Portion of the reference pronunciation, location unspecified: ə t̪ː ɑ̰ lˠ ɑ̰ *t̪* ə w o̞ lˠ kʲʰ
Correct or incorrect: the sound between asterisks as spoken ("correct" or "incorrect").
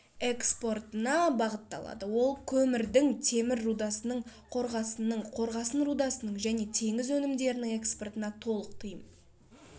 incorrect